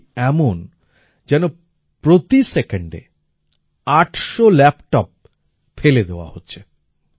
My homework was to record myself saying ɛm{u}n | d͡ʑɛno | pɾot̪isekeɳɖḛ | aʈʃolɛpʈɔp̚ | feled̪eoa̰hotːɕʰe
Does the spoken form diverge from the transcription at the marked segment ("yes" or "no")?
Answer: yes